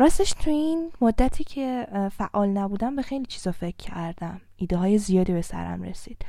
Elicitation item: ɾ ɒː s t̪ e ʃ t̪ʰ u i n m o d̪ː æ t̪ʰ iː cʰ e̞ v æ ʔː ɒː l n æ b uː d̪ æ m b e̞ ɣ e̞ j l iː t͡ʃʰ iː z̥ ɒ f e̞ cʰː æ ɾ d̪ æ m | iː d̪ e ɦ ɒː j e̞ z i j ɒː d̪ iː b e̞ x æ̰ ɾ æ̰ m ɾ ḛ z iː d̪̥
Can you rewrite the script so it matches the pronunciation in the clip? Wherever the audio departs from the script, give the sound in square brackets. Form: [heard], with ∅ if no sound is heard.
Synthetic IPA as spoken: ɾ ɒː s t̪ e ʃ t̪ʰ u i n m o d̪ː æ t̪ʰ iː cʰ e̞ [f] æ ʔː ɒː l n æ b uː d̪ æ m b e̞ [x] e̞ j l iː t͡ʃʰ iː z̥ ɒ f e̞ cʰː æ ɾ d̪ æ m | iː d̪ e ɦ ɒː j e̞ z i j ɒː d̪ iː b e̞ [s] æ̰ ɾ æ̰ m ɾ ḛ [s] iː d̪̥